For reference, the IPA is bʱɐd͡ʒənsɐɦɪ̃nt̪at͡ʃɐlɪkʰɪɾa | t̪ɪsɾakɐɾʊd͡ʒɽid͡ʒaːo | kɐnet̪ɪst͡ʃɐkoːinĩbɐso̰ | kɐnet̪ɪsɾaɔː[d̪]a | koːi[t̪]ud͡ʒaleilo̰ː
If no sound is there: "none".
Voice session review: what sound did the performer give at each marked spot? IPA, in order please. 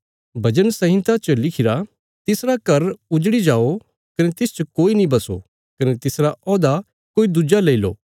d̪, d̪

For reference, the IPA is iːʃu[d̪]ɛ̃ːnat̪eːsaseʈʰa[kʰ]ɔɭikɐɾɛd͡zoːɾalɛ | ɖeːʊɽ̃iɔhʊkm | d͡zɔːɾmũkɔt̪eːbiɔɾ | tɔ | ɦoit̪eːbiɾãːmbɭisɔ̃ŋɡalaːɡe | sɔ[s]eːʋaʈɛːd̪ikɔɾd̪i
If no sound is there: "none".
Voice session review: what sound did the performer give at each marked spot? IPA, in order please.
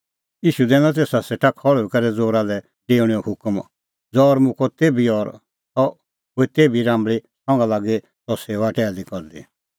d̪, kʰ, s

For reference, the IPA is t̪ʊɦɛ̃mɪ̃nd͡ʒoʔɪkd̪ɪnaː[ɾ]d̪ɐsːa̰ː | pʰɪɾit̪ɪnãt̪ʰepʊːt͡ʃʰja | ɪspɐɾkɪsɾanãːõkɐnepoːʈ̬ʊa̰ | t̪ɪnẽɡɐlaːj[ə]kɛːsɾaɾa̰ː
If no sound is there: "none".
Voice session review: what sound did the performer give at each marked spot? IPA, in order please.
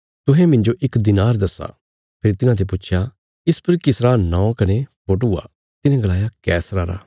ɾ, a

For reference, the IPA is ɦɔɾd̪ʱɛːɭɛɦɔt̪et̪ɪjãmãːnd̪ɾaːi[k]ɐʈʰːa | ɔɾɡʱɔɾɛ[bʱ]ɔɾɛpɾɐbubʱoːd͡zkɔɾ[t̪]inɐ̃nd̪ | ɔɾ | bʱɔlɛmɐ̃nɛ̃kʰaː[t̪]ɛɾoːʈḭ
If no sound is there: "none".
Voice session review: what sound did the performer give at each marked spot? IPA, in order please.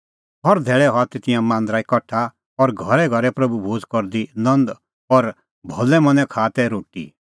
k, ɡʱ, d̪, t̪

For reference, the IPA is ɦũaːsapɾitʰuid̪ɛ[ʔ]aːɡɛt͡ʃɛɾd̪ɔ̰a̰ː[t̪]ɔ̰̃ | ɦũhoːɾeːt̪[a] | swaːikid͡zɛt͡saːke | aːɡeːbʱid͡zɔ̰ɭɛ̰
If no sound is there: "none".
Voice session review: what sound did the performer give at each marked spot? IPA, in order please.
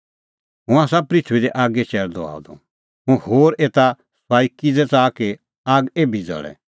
ʔ, d̪, a

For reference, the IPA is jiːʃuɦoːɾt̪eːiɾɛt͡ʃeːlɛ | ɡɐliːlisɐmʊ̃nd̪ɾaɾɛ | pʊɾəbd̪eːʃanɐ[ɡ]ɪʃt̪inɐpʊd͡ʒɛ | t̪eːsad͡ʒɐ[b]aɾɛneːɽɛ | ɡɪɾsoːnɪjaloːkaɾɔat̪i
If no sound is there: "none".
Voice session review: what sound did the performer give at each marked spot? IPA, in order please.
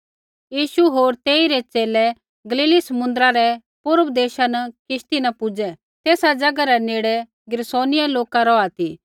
k, ɡ

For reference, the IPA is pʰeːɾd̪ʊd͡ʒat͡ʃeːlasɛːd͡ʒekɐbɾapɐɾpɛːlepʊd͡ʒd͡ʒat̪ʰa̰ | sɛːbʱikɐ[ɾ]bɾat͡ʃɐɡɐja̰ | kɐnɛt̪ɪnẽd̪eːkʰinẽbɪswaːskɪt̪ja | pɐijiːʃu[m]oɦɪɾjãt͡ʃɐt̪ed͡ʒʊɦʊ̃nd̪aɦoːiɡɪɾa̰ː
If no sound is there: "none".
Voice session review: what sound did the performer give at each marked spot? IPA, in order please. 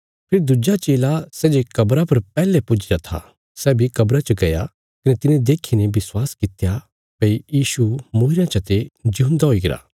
none, m

